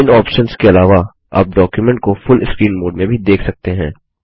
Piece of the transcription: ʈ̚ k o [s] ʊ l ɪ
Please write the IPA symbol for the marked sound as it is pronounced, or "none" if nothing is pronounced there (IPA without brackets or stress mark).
f